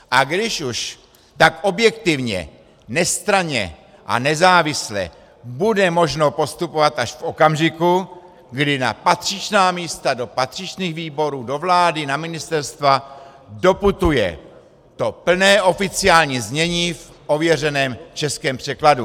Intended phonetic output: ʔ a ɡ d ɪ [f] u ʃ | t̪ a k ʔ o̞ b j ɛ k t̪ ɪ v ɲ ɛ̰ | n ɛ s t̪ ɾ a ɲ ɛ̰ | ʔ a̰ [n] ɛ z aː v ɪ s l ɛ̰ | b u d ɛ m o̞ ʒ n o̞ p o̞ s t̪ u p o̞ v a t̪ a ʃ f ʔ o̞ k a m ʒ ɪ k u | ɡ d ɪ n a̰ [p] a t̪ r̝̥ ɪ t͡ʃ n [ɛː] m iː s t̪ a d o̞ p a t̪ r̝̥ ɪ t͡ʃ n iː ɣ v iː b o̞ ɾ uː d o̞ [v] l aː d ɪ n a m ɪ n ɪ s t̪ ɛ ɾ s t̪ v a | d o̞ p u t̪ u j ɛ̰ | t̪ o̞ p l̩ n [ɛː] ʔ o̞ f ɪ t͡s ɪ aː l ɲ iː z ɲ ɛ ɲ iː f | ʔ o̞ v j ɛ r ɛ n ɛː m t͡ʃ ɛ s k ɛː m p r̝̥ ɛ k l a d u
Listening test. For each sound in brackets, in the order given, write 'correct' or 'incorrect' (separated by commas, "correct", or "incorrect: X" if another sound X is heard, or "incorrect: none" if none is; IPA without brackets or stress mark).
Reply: incorrect: ʃ, correct, correct, incorrect: aː, correct, correct